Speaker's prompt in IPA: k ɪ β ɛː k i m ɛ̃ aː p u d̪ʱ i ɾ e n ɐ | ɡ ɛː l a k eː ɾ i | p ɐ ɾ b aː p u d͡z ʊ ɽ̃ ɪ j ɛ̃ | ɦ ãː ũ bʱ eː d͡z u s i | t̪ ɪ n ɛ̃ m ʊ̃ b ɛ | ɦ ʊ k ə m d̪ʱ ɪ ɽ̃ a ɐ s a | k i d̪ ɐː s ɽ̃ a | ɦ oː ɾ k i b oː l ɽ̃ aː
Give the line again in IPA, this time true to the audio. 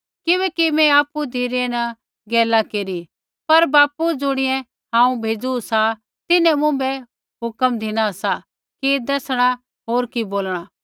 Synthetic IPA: k ɪ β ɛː k i m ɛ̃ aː p u d̪ʱ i ɾ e n ɐ | ɡ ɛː l a k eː ɾ i | p ɐ ɾ b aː p u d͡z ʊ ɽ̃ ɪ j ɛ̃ | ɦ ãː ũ bʱ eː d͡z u s a | t̪ ɪ n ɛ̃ m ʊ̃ b ɛ | ɦ ʊ k ə m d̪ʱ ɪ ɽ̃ a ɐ s a | k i d̪ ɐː s ɽ̃ a | ɦ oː ɾ k i b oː l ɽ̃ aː